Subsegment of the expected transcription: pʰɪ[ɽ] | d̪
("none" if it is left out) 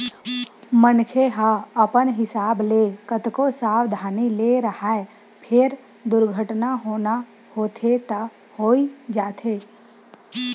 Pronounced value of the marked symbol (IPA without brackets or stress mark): ɾ